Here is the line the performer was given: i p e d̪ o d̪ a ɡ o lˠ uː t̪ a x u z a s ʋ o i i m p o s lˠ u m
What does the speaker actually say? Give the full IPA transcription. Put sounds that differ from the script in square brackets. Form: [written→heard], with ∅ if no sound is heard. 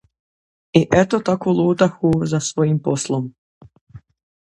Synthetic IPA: i [p→ʔ] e [d̪→t̪] o [d̪→t̪] a [ɡ→k] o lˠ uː t̪ a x u z a s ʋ o [i→j] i m p o s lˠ [u→o] m